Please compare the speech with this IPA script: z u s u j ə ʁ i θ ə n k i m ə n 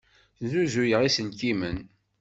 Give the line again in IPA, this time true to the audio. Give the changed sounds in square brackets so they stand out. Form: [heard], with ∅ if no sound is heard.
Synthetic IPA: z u [z] u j ə ʁ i [s] ə n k i m ə n